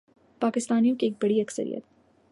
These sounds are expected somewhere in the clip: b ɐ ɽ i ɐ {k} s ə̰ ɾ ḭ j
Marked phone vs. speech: correct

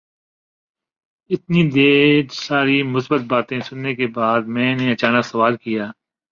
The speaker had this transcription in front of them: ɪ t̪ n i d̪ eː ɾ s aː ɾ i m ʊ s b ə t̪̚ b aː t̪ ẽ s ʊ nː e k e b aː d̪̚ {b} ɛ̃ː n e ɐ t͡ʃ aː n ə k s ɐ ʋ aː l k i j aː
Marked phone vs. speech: incorrect: m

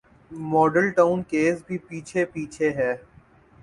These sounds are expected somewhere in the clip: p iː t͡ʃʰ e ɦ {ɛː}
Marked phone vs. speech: correct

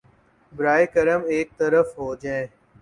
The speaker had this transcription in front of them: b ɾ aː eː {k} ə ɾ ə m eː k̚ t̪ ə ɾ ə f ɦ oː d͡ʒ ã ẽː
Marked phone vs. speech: correct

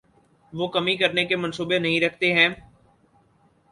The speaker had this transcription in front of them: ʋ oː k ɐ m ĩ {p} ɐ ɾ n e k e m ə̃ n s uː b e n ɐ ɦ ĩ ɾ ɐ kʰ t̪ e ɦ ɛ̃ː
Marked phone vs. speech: incorrect: k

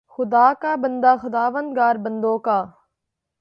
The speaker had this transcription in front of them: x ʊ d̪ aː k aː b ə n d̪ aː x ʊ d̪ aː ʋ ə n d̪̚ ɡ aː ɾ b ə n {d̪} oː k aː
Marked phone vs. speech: correct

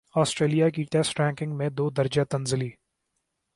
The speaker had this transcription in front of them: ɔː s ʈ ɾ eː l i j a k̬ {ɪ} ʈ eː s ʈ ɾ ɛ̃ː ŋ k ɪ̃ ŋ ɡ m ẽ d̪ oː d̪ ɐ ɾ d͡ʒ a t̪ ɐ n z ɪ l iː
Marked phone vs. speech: incorrect: i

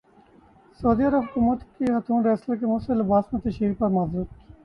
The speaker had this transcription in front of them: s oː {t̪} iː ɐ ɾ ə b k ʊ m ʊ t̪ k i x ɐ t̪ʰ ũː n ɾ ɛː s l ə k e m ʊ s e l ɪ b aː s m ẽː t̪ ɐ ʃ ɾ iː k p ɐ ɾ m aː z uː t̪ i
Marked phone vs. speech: incorrect: d̪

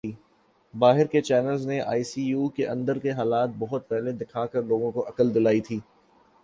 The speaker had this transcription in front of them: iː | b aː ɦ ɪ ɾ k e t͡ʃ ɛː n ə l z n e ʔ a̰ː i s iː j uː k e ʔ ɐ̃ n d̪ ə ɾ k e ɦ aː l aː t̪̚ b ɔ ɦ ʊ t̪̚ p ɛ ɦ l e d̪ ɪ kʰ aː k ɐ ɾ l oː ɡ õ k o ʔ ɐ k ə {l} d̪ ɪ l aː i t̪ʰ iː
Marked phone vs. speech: correct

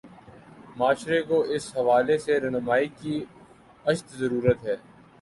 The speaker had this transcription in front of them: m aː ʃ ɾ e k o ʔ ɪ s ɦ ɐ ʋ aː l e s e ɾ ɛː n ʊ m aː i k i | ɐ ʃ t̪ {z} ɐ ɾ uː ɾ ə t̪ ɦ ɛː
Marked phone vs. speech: correct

